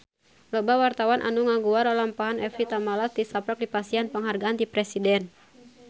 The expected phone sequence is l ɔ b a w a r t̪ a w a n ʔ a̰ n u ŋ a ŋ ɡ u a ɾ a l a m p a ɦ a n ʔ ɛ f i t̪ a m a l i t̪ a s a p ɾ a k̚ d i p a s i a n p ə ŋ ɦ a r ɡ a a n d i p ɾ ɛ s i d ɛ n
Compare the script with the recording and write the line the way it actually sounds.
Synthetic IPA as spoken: l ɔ b a w a r t̪ a w a n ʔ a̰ n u ŋ a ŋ ɡ u a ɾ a l a m p a ɦ a n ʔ ɛ f i t̪ a m a l a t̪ i s a p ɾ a k̚ d i p a s i a n p ə ŋ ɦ a r ɡ a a n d i p ɾ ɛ s i d ɛ n